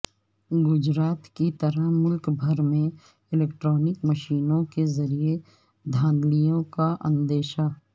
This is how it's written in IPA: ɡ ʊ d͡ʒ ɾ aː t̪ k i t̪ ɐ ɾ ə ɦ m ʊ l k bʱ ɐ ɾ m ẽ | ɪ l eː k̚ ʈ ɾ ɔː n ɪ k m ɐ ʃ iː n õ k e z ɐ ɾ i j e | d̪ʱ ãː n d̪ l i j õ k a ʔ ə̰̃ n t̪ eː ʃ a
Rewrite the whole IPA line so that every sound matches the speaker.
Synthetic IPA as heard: ɡ ʊ d͡ʒ ɾ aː t̪ k i t̪ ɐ ɾ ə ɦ m ʊ l k bʱ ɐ ɾ m ẽ | ɪ l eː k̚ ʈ ɾ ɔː n ɪ k m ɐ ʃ iː n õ k e z ɐ ɾ i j e | d̪ʱ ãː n d̪ l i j õ k a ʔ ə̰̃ n d̪ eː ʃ a